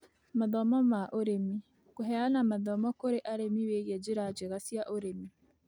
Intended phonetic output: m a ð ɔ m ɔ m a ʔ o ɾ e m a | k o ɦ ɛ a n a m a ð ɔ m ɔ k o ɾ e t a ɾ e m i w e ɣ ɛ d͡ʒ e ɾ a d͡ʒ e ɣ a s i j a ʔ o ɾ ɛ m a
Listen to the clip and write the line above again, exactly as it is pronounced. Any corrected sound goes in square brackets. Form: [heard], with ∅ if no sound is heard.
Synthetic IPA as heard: m a ð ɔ m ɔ m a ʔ o ɾ e m [i] | k o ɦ ɛ a n a m a ð ɔ m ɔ k o ɾ e [ʔ] a ɾ e m i w e ɣ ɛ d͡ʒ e ɾ a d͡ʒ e ɣ a s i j a ʔ o ɾ [e] m [i]